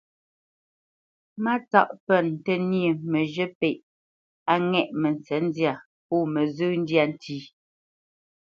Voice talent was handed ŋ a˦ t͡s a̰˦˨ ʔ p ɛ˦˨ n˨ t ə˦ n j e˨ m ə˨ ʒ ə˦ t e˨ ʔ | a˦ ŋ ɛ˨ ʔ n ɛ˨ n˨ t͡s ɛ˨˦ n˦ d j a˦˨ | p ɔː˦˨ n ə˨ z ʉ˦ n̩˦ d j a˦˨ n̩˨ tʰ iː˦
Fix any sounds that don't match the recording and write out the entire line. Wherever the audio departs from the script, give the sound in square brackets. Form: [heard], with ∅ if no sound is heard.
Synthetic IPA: [m] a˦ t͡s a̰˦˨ ʔ p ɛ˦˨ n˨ t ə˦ n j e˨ m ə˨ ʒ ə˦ [p] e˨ ʔ | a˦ ŋ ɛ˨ ʔ [m] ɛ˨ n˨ t͡s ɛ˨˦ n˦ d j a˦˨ | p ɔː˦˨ [m] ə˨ z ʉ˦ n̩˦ d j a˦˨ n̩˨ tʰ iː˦